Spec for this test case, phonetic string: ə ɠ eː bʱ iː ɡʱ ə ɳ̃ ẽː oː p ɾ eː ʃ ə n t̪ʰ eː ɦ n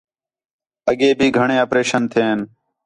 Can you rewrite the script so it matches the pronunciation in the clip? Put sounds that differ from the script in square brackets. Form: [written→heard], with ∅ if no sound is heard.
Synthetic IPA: ə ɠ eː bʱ iː ɡʱ ə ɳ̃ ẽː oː p ɾ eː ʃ ə n t̪ʰ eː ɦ n